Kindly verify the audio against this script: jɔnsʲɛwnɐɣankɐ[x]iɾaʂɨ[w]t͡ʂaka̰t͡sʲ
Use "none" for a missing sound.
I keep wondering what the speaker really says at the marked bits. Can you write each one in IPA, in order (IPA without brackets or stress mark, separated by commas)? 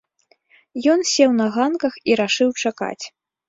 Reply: x, w